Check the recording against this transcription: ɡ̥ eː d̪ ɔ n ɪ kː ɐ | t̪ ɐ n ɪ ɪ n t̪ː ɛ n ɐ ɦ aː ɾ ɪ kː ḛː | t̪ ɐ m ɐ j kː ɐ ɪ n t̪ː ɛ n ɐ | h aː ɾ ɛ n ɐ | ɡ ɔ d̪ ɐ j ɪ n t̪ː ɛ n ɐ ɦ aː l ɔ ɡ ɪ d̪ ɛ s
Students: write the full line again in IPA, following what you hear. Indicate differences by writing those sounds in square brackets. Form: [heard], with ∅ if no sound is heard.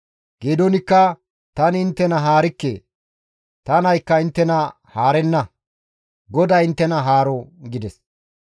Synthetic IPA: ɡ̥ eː d̪ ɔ n ɪ kː ɐ | t̪ ɐ n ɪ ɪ n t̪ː ɛ n ɐ ɦ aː ɾ ɪ kː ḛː | t̪ ɐ [n] ɐ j kː ɐ ɪ n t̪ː ɛ n ɐ | h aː ɾ ɛ [nː] ɐ | ɡ ɔ d̪ ɐ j ɪ n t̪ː ɛ n ɐ ɦ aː [ɾ] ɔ ɡ ɪ d̪ ɛ s